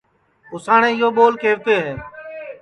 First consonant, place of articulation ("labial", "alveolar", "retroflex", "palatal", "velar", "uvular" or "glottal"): alveolar